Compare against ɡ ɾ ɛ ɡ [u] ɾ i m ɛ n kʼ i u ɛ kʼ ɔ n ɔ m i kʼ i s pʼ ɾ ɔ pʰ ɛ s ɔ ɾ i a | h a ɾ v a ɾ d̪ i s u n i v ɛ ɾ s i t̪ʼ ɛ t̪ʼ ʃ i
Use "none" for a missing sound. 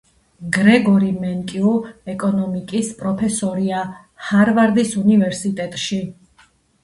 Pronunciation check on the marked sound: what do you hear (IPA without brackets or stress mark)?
ɔ